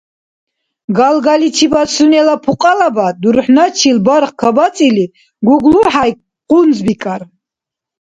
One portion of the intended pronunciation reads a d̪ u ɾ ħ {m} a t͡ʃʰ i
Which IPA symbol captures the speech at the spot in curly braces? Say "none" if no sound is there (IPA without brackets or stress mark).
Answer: n